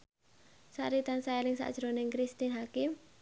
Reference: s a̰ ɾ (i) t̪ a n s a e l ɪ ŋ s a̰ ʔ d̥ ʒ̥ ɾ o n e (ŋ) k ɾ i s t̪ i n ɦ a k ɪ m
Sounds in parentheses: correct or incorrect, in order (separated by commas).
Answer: correct, correct